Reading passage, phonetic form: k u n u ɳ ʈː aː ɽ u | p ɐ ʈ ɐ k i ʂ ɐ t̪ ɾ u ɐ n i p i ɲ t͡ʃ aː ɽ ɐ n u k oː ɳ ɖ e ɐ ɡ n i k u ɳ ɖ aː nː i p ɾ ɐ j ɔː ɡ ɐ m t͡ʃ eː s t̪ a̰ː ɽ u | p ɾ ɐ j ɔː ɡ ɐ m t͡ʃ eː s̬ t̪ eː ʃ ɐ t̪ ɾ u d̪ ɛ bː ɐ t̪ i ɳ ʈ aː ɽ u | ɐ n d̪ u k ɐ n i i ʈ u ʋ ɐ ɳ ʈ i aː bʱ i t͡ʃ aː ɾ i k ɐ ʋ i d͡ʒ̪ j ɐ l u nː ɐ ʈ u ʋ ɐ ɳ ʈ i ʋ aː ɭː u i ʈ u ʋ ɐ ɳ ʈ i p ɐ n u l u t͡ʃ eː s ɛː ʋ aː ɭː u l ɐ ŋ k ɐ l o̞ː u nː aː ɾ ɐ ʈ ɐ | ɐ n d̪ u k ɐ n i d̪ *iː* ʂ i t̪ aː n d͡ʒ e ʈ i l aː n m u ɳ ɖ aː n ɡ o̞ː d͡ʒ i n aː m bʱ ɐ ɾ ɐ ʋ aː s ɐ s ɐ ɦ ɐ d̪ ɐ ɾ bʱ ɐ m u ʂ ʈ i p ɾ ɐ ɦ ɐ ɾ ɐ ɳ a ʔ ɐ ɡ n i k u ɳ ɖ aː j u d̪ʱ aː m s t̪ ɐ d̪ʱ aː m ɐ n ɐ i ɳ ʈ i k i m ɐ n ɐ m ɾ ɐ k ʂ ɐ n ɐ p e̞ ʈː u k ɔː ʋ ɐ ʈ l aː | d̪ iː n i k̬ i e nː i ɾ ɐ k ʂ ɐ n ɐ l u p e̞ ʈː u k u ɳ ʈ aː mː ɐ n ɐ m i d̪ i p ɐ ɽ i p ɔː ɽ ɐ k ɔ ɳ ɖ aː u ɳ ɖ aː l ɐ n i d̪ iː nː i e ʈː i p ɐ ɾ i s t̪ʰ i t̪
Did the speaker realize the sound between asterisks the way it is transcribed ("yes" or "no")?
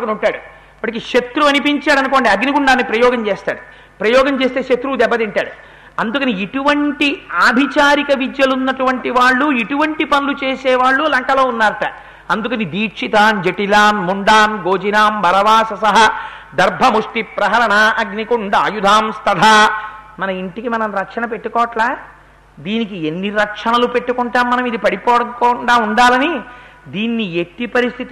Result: yes